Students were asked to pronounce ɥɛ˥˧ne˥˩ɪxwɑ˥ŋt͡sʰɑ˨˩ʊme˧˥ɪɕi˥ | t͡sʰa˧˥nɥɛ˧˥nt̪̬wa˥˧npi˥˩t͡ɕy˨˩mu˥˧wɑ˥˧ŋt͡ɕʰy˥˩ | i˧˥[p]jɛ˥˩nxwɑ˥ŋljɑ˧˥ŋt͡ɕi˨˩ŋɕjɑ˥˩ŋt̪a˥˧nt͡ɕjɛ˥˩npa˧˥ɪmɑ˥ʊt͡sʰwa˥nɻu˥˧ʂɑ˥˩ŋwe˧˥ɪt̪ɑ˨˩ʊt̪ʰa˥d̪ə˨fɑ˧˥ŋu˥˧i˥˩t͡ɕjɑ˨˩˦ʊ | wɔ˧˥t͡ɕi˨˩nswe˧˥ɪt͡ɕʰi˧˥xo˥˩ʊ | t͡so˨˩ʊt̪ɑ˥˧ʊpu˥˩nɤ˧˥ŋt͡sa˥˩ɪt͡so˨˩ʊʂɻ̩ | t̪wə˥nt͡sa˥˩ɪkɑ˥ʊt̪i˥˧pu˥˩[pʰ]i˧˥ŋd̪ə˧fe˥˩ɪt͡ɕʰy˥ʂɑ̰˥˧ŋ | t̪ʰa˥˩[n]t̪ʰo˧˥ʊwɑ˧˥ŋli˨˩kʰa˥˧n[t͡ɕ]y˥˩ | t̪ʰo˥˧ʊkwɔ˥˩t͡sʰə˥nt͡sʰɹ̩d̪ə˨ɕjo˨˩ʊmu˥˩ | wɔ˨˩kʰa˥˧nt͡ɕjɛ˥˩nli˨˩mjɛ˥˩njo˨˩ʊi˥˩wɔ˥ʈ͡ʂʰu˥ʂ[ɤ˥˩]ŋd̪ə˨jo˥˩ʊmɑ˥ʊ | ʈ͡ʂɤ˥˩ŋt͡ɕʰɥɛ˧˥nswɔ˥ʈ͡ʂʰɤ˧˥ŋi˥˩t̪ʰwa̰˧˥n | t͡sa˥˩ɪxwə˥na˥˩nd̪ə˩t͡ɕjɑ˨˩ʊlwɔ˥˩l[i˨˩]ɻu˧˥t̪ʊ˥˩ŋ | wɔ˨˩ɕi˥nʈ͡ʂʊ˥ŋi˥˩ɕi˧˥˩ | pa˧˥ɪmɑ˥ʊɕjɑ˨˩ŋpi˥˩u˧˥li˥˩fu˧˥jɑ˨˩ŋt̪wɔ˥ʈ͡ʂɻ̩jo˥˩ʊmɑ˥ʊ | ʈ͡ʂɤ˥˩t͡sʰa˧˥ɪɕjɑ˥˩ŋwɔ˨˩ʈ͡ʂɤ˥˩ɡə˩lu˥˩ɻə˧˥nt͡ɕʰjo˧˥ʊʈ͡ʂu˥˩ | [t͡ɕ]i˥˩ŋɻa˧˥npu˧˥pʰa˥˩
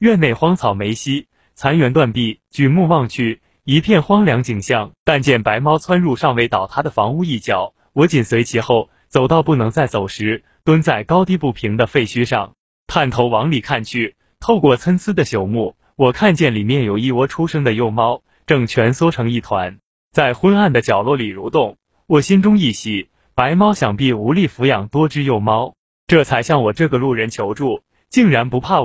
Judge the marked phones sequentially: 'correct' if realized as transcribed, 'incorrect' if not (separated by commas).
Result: incorrect, correct, correct, incorrect, incorrect, correct, correct